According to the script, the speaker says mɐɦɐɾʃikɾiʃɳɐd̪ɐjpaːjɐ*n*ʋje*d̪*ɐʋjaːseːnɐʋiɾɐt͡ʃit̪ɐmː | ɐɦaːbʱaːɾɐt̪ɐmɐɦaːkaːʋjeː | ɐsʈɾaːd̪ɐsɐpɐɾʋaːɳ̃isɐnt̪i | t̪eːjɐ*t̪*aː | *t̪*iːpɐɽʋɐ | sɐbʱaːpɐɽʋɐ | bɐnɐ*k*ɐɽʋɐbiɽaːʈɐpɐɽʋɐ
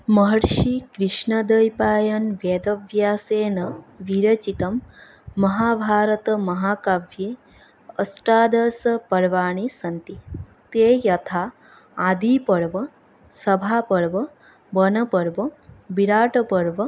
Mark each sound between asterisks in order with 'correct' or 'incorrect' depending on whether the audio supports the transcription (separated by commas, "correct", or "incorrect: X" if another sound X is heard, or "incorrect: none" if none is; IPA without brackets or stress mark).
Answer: correct, correct, incorrect: t̪ʰ, incorrect: d̪, incorrect: p